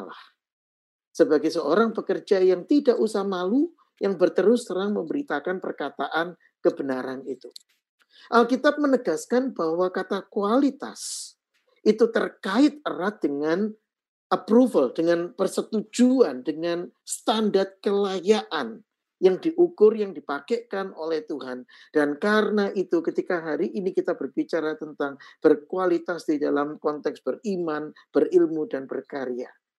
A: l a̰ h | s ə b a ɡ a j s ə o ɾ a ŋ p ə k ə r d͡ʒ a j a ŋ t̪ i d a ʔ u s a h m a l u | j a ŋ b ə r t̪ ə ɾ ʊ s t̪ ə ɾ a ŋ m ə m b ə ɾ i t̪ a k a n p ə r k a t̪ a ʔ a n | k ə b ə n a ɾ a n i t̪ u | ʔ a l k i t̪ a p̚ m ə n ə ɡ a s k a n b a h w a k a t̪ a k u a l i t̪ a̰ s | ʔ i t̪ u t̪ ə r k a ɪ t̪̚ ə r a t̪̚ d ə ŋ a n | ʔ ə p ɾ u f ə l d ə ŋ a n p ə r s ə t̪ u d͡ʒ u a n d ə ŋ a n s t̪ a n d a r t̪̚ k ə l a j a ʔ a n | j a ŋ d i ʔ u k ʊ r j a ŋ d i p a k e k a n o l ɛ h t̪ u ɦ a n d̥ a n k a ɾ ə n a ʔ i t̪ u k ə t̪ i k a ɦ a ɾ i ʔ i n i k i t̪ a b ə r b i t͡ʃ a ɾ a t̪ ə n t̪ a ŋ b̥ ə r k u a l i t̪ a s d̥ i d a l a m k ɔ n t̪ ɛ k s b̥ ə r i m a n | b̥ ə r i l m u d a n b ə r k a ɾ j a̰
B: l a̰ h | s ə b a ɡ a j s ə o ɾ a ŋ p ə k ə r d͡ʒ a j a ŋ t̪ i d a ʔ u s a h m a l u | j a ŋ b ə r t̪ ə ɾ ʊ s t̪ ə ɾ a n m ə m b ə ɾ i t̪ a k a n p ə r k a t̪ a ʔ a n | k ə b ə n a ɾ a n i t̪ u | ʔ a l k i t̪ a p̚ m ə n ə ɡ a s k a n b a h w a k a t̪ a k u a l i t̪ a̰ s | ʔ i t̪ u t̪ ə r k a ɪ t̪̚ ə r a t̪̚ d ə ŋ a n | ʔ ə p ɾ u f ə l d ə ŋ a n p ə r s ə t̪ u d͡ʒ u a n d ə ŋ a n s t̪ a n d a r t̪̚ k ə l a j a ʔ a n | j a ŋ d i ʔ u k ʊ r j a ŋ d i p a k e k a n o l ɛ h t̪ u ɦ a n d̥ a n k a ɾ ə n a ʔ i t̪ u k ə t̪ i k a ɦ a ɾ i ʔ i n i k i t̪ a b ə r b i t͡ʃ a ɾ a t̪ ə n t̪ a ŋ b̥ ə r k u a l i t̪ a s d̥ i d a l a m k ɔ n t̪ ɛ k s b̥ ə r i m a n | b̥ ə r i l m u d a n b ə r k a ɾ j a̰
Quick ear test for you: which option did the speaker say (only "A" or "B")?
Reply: A